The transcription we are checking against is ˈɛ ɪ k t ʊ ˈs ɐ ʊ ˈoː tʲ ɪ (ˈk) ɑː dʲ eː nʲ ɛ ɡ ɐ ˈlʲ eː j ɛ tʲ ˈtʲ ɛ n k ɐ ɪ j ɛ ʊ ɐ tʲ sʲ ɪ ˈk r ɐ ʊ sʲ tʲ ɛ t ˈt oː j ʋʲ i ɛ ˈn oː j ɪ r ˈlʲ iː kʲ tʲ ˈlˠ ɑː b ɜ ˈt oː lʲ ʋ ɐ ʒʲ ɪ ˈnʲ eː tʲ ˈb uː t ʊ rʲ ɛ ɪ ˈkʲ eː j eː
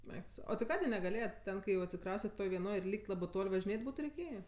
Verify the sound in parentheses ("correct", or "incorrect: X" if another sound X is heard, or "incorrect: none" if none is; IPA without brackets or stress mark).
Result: correct